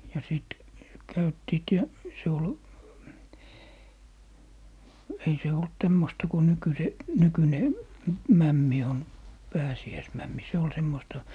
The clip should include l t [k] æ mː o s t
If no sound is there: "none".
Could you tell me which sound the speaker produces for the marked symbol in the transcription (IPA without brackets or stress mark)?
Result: t